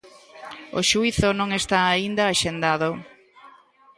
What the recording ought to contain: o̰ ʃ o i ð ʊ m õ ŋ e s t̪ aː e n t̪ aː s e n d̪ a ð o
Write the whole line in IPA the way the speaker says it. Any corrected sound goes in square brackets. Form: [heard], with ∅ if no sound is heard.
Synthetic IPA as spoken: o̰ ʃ [u] i [θ] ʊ [n] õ ŋ e s t̪ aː [i] n [d̪] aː [ʃ] e n d̪ a ð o